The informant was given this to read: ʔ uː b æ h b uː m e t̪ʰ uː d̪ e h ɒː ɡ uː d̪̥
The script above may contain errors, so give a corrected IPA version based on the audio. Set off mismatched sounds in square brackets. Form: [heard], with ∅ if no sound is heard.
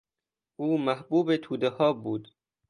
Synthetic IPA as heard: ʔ uː [m] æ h b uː [b] e t̪ʰ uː d̪ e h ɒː [b] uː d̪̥